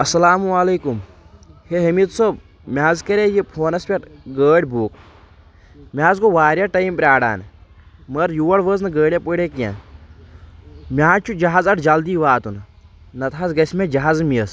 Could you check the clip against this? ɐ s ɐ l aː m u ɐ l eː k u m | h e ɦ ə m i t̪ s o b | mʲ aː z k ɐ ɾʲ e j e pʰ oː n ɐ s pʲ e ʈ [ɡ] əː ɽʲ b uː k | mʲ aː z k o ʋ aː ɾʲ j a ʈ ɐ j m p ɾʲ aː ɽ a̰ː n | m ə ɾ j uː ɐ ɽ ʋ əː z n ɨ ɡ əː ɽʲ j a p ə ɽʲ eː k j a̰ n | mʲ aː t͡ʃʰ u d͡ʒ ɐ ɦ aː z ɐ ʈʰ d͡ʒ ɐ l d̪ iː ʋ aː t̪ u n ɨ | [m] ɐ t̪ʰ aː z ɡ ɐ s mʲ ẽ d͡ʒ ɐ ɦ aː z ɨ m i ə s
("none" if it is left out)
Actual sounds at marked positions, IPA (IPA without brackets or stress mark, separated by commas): ɡ, n